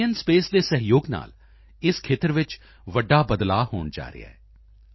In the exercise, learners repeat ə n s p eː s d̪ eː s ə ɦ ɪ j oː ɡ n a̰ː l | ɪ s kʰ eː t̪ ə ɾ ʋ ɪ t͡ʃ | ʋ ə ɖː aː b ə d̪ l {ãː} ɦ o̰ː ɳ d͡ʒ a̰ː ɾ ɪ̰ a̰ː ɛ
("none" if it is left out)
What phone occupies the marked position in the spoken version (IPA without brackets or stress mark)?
aː